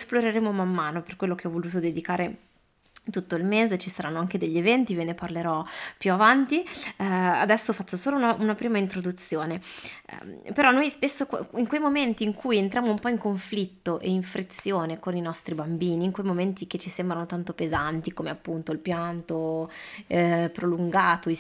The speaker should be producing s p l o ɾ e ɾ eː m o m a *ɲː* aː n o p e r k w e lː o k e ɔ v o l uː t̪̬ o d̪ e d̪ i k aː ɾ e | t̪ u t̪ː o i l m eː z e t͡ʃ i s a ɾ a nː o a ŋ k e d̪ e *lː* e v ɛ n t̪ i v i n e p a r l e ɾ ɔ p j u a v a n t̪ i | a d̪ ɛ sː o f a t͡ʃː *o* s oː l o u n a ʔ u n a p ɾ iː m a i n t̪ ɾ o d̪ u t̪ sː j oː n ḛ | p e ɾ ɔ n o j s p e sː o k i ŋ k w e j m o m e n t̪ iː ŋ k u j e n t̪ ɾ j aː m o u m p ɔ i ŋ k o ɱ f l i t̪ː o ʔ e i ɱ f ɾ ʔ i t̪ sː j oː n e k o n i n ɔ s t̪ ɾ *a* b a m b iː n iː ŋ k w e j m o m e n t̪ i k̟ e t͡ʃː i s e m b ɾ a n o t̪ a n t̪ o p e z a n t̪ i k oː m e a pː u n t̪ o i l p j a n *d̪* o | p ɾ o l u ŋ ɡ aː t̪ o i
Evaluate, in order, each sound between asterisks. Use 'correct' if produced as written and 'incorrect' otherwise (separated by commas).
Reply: incorrect, incorrect, correct, incorrect, incorrect